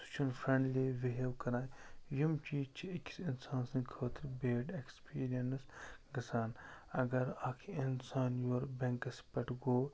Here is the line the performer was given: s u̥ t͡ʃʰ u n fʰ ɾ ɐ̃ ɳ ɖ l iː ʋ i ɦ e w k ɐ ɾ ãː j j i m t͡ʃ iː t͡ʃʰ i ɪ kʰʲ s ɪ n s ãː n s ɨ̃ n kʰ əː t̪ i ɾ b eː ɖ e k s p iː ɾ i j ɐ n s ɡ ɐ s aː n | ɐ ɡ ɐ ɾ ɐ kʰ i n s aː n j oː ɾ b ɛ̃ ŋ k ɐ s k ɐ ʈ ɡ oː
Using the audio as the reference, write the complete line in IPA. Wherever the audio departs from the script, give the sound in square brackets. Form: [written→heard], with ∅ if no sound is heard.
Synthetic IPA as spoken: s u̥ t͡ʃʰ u n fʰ ɾ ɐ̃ ɳ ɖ l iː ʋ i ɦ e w k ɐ ɾ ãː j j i m t͡ʃ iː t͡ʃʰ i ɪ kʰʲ s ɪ n s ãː n s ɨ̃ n kʰ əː t̪ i ɾ b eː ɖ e k s p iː ɾ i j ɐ n s ɡ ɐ s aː n | ɐ ɡ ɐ ɾ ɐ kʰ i n s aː n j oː ɾ b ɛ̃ ŋ k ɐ s [k→p] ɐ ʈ ɡ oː